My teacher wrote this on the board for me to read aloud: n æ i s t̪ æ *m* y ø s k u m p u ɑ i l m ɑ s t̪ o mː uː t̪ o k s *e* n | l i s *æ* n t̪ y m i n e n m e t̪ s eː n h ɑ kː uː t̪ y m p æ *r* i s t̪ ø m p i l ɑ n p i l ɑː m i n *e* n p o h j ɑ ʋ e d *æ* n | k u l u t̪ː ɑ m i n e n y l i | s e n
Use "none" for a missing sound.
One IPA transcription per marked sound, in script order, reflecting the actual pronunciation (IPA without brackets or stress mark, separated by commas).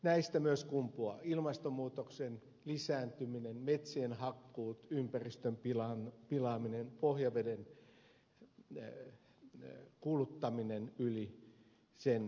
m, e, æː, r, e, e